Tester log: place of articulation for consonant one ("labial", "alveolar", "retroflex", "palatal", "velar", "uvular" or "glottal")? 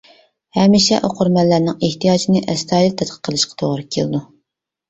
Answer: glottal